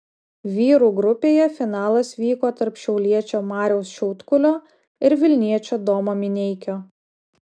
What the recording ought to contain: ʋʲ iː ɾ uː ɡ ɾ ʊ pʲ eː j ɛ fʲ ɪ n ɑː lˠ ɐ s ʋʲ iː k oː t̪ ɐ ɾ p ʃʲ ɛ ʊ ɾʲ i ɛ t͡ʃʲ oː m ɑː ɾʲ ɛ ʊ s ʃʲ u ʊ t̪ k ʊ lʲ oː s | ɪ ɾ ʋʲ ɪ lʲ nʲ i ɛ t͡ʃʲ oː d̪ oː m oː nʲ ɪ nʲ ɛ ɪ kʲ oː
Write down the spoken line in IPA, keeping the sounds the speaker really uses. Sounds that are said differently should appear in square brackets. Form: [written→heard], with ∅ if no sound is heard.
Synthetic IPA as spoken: ʋʲ iː ɾ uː ɡ ɾ ʊ pʲ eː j ɛ fʲ ɪ n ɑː lˠ ɐ s ʋʲ iː k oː t̪ ɐ ɾ p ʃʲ ɛ ʊ [ɾʲ→lʲ] i ɛ t͡ʃʲ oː m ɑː ɾʲ ɛ ʊ s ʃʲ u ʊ t̪ k ʊ lʲ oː [s→∅] | ɪ ɾ ʋʲ ɪ lʲ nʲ i ɛ t͡ʃʲ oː d̪ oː m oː [nʲ→mʲ] ɪ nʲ ɛ ɪ kʲ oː

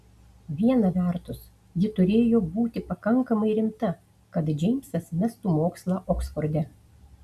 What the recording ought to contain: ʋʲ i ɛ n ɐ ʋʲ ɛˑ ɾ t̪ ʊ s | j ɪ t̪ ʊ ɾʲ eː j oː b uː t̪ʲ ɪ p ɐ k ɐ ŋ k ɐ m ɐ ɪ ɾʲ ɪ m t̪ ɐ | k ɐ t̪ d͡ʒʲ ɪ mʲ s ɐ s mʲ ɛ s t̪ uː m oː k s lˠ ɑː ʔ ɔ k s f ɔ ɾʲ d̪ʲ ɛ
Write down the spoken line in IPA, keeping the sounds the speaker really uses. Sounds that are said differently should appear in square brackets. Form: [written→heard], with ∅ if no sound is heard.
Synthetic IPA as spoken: ʋʲ i ɛ n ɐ ʋʲ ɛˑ ɾ t̪ ʊ s | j ɪ t̪ ʊ ɾʲ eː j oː b uː t̪ʲ ɪ p ɐ k ɐ ŋ k ɐ m ɐ ɪ ɾʲ ɪ m t̪ ɐ | k ɐ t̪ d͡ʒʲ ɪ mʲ s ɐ s mʲ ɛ s t̪ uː m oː k s lˠ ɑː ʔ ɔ k s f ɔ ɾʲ d̪ʲ ɛ

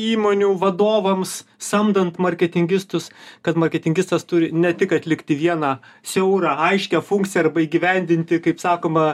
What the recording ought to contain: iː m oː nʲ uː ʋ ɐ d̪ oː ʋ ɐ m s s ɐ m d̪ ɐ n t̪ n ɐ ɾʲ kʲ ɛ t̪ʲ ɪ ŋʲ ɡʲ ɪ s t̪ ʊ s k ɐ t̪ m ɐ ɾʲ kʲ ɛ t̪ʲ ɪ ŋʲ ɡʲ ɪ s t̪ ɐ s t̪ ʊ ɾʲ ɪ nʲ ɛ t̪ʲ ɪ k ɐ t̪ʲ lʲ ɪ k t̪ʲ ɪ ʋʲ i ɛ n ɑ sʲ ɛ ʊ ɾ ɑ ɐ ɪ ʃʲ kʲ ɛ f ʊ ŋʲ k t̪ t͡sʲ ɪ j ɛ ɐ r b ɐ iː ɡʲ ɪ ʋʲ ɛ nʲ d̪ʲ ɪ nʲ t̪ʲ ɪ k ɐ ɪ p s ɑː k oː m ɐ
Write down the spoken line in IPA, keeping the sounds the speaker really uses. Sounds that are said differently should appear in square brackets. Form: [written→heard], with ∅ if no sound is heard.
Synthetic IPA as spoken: iː m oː nʲ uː ʋ ɐ d̪ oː ʋ ɐ m s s ɐ m d̪ ɐ n t̪ [n→m] ɐ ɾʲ kʲ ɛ t̪ʲ ɪ ŋʲ ɡʲ ɪ s t̪ ʊ s k ɐ t̪ m ɐ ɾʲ kʲ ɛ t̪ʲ ɪ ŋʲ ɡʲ ɪ s t̪ ɐ s t̪ ʊ ɾʲ ɪ nʲ ɛ t̪ʲ ɪ k ɐ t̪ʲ lʲ ɪ k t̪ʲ ɪ ʋʲ i ɛ n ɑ sʲ ɛ ʊ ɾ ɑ ɐ ɪ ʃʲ kʲ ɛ f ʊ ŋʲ k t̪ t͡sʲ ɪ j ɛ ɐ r b ɐ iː ɡʲ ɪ ʋʲ ɛ nʲ d̪ʲ ɪ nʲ t̪ʲ ɪ k ɐ ɪ p s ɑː k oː m ɐ

